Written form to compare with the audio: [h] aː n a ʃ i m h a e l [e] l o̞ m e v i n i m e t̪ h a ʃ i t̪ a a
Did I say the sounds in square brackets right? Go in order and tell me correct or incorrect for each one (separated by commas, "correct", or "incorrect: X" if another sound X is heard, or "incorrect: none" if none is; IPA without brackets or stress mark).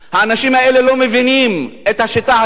correct, correct